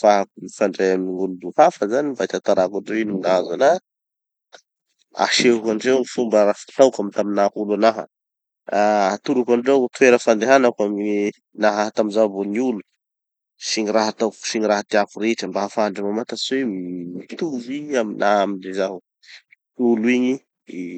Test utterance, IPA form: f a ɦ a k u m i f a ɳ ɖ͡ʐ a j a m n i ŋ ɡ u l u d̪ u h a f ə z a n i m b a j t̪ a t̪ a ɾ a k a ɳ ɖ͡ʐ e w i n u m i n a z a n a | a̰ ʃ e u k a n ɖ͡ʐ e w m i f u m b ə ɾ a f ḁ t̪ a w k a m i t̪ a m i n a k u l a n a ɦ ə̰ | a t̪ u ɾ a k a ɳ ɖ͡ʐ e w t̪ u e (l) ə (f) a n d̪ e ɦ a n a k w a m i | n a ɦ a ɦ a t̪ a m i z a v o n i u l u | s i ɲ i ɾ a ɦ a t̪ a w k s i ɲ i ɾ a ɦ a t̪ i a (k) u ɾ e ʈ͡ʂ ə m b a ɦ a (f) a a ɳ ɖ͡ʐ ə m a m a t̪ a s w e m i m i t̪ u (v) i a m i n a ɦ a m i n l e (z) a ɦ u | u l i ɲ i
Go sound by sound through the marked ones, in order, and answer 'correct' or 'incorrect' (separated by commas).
incorrect, correct, correct, correct, correct, correct